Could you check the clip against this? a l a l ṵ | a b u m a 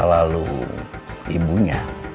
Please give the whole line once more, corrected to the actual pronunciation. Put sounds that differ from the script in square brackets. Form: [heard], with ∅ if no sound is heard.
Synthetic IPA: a l a l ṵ | [i] b u [ɲ] a